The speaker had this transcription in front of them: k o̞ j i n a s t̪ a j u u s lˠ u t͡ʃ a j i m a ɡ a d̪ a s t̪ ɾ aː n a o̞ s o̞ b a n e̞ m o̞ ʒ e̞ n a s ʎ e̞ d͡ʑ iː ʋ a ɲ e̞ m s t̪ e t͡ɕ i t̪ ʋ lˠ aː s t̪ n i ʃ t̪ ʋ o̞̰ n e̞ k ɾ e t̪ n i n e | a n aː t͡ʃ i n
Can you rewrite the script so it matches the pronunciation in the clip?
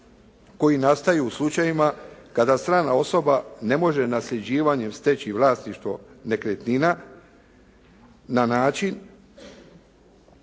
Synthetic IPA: k o̞ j i n a s t̪ a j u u s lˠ u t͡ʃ a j i m a k a d̪ a s t̪ ɾ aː n a o̞ s o̞ b a n e̞ m o̞ ʒ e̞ n a s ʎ e̞ d͡ʑ iː ʋ a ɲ e̞ m s t̪ e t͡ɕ i ʋ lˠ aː s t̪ n i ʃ t̪ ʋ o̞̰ n e̞ k ɾ e t̪ n i n a | a n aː t͡ʃ i n